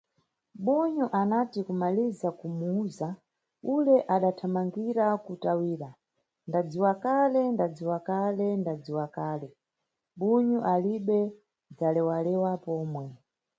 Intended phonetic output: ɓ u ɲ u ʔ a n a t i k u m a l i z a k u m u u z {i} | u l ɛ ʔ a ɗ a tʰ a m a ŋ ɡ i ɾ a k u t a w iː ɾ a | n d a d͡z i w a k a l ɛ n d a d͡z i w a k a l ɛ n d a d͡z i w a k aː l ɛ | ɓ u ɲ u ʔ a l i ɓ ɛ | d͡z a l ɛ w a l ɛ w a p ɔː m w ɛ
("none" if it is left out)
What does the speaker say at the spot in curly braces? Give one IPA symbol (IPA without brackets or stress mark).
a